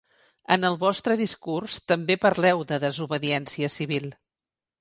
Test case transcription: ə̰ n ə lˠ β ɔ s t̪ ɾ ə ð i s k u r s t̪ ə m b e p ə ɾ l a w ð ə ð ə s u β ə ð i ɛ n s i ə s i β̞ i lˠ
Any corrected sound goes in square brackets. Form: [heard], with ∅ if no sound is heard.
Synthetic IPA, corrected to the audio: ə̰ n ə lˠ β ɔ s t̪ ɾ ə ð i s k u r s t̪ ə m b e p ə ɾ l [ɛ] w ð ə ð ə [z] u β ə ð i ɛ n s i ə s i β̞ i lˠ